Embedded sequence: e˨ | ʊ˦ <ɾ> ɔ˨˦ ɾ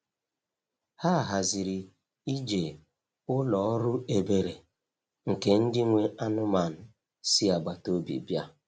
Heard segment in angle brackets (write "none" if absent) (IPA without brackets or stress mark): l